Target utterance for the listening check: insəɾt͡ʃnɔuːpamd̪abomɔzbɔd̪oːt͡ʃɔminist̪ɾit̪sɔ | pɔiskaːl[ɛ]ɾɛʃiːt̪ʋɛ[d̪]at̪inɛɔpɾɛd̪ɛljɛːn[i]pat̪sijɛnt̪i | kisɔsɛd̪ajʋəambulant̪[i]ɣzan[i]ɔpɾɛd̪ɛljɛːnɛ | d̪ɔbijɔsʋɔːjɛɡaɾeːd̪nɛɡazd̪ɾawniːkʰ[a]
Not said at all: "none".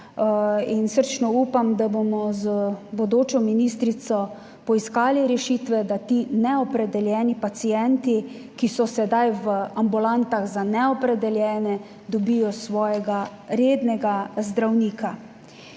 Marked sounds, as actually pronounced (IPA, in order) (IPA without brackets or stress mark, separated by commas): i, d̪, i, a, ɛ, a